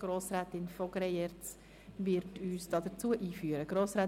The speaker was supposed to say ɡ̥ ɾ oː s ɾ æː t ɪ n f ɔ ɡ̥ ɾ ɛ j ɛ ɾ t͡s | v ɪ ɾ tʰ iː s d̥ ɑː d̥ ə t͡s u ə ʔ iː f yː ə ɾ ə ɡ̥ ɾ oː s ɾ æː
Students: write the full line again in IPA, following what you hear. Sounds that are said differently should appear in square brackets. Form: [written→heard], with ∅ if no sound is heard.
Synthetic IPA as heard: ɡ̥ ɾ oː s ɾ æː t ɪ n f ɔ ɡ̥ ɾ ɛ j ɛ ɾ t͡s | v ɪ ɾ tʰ [iː→yː] s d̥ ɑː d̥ ə t͡s u ə ʔ iː f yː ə ɾ ə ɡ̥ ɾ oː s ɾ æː